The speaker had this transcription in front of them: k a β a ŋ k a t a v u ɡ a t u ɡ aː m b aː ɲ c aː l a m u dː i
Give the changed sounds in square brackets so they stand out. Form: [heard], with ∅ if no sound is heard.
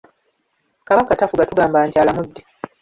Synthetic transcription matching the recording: k a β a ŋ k a t a [f] u ɡ a t u ɡ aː m b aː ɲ c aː l a m u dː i